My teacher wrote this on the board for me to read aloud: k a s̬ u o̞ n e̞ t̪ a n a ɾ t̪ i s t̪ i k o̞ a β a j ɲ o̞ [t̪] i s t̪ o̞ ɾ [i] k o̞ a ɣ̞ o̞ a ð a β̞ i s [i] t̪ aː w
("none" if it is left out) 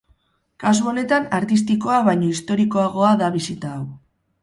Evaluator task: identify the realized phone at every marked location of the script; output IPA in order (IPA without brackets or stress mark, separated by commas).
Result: none, i, i